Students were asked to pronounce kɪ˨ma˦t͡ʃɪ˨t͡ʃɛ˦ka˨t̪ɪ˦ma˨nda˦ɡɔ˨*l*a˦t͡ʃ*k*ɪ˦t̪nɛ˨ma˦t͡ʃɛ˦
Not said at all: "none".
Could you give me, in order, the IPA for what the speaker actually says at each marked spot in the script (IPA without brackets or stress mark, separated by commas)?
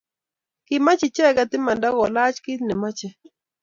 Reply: l, k